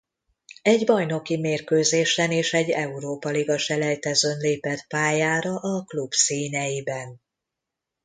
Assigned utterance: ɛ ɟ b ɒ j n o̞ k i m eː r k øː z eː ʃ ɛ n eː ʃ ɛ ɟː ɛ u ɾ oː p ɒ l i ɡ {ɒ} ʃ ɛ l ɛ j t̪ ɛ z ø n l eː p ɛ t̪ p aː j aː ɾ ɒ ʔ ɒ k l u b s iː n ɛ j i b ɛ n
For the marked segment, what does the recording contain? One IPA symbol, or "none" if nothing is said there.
ɒ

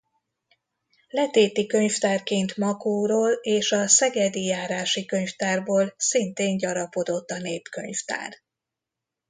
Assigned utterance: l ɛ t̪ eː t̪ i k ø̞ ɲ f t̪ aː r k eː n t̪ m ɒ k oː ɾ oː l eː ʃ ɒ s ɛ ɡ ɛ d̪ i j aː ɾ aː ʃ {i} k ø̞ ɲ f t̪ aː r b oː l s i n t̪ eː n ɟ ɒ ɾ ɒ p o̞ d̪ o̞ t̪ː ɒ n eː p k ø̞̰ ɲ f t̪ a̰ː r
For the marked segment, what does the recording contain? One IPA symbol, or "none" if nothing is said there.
i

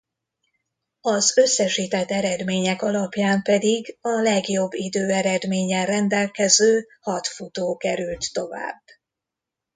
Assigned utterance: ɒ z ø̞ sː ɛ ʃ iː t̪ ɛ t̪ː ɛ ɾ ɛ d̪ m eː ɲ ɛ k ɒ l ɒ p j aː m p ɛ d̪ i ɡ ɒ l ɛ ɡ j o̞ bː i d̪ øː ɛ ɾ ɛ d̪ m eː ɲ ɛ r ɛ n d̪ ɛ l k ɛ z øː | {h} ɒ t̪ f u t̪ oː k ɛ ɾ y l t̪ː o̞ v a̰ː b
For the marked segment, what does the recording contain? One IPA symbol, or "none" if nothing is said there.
h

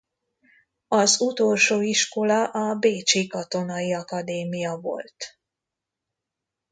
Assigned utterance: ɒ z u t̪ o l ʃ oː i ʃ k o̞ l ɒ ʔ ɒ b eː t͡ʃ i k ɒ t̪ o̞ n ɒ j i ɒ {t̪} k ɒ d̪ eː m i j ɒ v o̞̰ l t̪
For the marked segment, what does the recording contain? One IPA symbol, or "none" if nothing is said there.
none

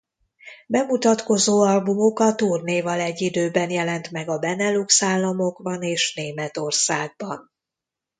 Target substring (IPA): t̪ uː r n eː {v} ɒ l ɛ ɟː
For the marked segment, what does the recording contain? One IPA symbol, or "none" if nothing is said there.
v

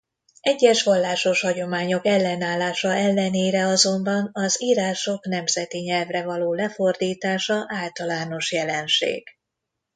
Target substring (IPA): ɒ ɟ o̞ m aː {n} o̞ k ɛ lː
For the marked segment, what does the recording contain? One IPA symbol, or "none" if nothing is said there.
ɲ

